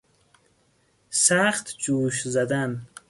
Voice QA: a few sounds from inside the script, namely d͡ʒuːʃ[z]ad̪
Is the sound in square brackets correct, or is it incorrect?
correct